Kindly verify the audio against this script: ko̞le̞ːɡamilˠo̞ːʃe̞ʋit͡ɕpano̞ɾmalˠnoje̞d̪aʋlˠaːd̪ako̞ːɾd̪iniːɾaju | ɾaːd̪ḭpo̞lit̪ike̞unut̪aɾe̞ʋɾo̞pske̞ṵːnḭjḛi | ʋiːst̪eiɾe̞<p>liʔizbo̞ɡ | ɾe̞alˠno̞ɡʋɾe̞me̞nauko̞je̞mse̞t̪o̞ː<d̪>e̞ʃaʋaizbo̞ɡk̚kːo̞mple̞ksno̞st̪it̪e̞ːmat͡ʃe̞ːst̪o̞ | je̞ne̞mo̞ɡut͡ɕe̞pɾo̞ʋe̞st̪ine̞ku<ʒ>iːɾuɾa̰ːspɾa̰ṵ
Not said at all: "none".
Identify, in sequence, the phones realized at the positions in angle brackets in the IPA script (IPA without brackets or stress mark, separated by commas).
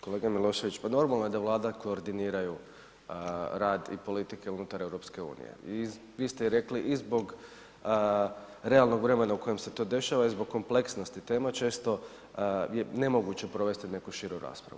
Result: k, d̪, ʃ